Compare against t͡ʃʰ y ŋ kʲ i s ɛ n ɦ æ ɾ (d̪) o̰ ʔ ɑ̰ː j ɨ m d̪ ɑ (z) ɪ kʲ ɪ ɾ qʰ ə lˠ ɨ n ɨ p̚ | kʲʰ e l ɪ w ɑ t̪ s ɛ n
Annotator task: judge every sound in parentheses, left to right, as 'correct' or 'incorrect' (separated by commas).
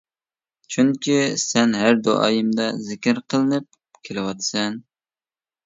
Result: correct, correct